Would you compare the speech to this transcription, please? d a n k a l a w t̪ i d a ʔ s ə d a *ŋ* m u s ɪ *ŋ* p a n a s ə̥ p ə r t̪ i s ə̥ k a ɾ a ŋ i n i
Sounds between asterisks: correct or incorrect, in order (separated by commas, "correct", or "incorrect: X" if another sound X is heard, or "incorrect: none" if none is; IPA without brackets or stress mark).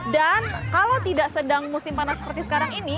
correct, incorrect: m